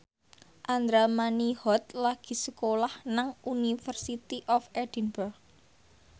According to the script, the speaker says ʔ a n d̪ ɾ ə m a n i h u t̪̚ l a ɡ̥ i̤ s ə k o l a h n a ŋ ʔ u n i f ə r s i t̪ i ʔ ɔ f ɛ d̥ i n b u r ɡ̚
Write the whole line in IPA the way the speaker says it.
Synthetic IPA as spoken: ʔ a n d̪ ɾ a m a n i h ɔ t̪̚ l a ɡ̥ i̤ s ə k o l a h n a ŋ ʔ u n i f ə r s i t̪ i ʔ ɔ f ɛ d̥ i n b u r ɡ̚